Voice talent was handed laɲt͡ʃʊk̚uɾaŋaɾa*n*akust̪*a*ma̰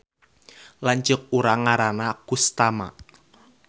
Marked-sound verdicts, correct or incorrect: correct, correct

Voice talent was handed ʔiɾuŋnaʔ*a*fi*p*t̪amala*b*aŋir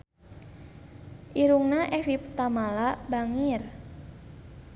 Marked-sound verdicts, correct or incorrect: incorrect, correct, correct

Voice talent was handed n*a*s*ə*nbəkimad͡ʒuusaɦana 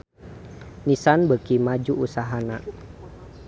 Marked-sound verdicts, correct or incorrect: incorrect, incorrect

